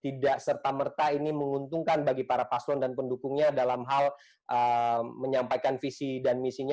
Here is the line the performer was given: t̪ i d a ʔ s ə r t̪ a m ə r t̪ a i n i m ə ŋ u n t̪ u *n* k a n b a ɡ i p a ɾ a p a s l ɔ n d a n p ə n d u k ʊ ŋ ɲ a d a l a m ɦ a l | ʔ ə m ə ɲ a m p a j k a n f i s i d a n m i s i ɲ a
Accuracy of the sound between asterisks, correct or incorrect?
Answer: incorrect: ŋ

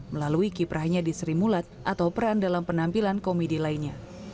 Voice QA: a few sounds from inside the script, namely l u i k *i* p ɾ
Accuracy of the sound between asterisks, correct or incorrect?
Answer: correct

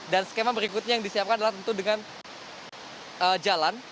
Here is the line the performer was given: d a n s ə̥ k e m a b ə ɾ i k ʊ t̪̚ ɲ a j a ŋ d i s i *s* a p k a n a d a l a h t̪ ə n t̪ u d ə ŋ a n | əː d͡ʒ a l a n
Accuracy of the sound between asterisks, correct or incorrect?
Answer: incorrect: none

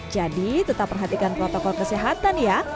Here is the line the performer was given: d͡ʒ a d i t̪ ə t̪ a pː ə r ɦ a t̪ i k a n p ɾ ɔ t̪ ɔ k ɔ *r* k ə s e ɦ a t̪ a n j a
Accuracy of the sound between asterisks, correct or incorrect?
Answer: incorrect: l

